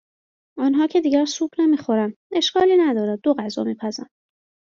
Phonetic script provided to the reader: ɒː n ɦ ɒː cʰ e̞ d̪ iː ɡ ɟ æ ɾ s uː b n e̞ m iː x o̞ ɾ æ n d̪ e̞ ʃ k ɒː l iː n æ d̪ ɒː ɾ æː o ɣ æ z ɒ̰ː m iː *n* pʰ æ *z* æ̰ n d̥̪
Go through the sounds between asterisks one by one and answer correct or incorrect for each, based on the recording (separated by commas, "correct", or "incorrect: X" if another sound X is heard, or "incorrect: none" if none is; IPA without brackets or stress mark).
incorrect: none, correct